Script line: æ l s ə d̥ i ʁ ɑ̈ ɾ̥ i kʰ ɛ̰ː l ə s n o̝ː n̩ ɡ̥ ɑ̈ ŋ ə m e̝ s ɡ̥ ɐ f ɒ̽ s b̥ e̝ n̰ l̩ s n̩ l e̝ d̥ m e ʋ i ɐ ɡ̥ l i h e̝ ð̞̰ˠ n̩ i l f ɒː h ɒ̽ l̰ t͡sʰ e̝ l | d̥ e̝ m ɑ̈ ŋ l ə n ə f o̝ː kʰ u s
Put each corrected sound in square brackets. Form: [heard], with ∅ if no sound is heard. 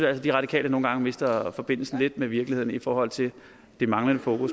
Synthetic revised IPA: æ l s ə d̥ i ʁ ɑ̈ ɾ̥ i kʰ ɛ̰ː l ə [∅] n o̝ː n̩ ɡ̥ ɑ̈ ŋ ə m e̝ s [d̥] ɐ f ɒ̽ [∅] b̥ e̝ n̰ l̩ s n̩ l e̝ d̥ m e ʋ i ɐ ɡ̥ l i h e̝ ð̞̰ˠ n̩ i [∅] f ɒː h ɒ̽ l̰ t͡sʰ e̝ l | d̥ e̝ m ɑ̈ ŋ l ə n ə f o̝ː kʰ u s